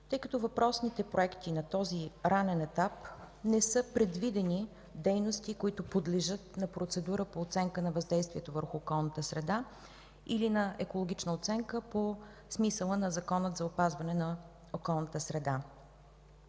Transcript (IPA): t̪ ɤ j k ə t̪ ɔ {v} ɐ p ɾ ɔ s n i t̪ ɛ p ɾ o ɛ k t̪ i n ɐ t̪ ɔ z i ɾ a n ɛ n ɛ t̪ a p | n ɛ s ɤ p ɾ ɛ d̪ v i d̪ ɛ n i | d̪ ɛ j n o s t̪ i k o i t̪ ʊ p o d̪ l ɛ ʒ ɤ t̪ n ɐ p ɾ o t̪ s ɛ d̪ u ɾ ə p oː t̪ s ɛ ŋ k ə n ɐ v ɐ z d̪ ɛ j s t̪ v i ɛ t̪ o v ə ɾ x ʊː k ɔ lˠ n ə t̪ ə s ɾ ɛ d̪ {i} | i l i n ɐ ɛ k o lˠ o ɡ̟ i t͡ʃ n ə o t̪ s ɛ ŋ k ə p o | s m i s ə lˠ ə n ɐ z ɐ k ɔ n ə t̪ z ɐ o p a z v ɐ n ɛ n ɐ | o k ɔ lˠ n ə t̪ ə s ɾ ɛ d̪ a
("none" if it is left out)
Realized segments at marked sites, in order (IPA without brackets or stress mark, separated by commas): v, a